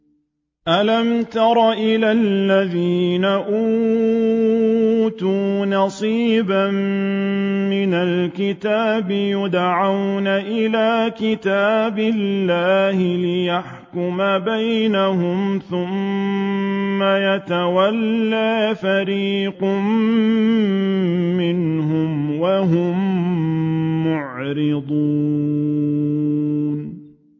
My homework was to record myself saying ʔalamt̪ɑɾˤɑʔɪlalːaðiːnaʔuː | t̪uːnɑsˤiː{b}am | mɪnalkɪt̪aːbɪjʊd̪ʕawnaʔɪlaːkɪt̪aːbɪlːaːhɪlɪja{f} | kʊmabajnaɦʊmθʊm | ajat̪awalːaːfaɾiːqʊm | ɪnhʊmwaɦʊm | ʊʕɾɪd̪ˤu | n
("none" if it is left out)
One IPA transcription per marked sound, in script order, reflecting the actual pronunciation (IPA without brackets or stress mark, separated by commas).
b, ħ